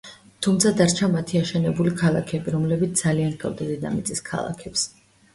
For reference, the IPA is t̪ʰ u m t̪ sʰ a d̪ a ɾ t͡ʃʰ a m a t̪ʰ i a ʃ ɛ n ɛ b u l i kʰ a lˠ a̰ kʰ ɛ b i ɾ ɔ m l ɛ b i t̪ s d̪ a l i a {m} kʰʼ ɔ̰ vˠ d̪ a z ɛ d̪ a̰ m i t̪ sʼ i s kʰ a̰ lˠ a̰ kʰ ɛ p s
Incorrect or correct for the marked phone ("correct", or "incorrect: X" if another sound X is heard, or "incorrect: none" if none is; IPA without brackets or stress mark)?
incorrect: n